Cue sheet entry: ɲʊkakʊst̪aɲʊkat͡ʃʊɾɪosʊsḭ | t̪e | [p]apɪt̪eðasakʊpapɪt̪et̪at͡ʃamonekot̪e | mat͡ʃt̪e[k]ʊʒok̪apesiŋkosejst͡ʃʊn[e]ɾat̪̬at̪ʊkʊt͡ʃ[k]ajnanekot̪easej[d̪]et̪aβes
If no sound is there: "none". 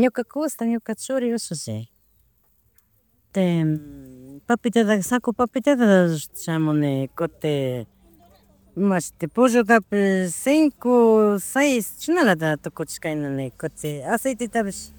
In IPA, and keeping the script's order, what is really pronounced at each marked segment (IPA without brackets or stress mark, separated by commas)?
p, p, a, k, t̪